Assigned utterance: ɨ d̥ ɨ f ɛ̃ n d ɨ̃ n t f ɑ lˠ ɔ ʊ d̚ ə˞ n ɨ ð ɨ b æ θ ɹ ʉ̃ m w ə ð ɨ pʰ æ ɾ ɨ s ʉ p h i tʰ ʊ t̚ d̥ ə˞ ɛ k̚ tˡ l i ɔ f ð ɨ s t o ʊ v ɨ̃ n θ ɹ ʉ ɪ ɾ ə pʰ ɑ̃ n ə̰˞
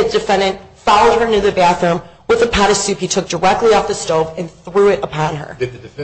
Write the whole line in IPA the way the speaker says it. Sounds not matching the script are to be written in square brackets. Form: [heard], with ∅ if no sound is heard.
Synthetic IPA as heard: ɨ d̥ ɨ f ɛ̃ n d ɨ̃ n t f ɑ lˠ [o] ʊ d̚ ə˞ n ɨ ð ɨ b æ θ ɹ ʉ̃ m w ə ð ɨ pʰ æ ɾ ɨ s ʉ p h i tʰ ʊ [k̚] d̥ ə˞ ɛ k̚ tˡ l i ɔ f ð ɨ s t o ʊ v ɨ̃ n θ ɹ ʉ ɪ ɾ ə pʰ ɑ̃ n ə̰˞